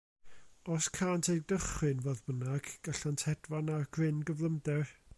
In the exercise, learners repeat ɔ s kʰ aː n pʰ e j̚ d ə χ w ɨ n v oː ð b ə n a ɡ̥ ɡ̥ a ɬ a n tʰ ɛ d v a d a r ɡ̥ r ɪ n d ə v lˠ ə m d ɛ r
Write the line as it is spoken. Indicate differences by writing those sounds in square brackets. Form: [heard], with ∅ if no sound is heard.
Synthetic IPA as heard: ɔ s kʰ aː n [tʰ] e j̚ d ə χ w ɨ n v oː ð b ə n a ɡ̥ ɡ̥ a ɬ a n tʰ ɛ d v a [n] a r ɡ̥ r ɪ n [ɡ] ə v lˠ ə m d ɛ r